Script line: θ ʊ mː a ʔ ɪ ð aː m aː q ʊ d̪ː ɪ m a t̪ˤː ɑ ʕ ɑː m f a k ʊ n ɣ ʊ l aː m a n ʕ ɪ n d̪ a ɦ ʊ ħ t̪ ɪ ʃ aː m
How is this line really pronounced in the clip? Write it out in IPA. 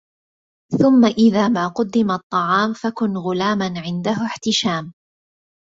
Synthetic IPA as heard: θ ʊ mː a ʔ ɪ ð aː m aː q ʊ d̪ː ɪ m a t̪ˤː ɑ ʕ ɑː m f a k ʊ n ɣ ʊ l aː m a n ʕ ɪ n d̪ a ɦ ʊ ħ t̪ ɪ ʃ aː m